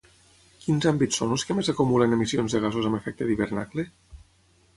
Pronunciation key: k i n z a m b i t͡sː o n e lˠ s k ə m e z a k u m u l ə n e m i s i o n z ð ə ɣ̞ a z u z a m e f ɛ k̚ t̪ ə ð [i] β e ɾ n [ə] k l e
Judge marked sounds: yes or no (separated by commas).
yes, no